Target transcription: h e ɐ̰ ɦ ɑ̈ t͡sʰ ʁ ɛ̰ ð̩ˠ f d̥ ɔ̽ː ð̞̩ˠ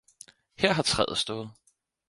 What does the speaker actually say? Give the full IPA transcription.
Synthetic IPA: h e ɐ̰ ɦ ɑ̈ t͡sʰ ʁ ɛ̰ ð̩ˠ s d̥ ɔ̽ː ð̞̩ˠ